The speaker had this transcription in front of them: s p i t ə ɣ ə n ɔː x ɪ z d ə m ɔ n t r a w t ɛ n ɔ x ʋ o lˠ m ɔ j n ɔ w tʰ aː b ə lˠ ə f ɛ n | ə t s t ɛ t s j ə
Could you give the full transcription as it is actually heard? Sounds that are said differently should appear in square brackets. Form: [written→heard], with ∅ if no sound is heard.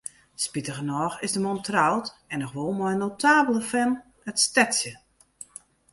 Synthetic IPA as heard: s p i t ə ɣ ə n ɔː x ɪ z d ə m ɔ n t r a w t ɛ n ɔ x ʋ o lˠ m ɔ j n [ɔ→o] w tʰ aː b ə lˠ ə f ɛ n | ə t s t ɛ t s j ə